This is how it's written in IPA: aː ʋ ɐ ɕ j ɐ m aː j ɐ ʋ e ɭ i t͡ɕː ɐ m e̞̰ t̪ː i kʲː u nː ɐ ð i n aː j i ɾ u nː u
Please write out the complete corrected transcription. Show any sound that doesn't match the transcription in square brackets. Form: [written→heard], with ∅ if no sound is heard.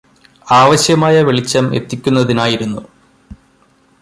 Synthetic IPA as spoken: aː ʋ ɐ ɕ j ɐ m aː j ɐ ʋ e ɭ i t͡ɕː ɐ m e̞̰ t̪ː i kʲː u nː ɐ ð i n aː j i ɾ u nː u